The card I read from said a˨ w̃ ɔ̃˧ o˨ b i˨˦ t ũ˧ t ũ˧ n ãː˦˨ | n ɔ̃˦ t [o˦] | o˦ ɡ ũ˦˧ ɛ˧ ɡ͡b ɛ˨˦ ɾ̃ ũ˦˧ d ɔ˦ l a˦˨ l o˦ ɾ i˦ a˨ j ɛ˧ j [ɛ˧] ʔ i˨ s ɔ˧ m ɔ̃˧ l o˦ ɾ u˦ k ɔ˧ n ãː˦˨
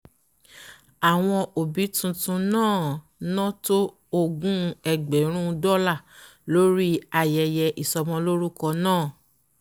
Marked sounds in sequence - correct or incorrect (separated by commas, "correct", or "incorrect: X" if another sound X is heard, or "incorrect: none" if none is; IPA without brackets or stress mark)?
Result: correct, correct